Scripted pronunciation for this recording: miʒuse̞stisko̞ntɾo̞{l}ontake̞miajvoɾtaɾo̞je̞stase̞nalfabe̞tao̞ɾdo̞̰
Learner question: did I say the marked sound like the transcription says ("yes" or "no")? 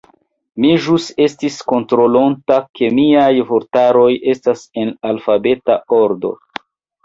yes